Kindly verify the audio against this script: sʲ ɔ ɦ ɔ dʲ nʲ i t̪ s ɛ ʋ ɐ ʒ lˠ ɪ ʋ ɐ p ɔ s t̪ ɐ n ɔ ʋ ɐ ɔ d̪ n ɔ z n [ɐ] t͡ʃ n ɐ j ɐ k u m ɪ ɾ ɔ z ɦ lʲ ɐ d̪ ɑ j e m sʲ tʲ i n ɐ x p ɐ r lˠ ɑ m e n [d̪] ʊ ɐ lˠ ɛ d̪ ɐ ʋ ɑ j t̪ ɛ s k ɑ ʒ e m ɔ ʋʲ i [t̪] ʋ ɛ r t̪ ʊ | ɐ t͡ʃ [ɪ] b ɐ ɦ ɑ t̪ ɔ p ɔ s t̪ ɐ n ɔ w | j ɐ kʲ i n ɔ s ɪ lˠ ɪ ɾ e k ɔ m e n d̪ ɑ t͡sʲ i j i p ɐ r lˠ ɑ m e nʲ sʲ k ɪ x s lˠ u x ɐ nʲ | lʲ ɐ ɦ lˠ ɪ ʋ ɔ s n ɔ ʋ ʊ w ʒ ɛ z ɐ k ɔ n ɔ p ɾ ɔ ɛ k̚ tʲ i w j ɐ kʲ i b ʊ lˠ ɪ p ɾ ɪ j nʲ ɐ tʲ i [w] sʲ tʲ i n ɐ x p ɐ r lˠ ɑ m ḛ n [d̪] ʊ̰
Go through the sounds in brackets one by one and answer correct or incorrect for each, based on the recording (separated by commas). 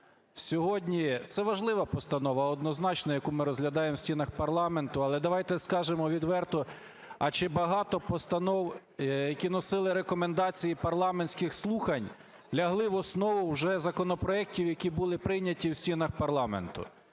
incorrect, incorrect, incorrect, correct, correct, incorrect